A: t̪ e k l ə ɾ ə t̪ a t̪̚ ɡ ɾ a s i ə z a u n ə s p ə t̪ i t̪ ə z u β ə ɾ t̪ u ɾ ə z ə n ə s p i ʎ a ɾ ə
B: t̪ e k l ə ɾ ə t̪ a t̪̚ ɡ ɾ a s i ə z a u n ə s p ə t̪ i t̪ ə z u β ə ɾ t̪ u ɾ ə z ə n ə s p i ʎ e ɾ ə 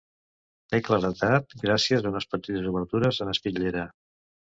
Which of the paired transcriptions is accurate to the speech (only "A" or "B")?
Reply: B